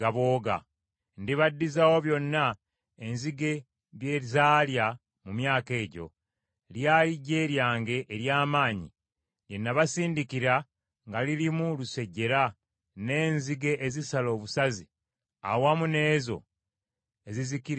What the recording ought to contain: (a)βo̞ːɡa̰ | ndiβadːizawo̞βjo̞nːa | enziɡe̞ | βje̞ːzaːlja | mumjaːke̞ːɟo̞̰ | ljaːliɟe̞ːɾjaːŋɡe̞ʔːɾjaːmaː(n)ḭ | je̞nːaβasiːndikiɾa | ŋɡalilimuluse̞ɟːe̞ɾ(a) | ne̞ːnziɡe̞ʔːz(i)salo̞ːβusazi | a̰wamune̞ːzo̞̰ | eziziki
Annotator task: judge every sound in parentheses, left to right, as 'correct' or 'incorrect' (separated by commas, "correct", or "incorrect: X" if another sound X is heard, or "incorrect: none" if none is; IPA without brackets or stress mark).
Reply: correct, incorrect: ɲ, correct, correct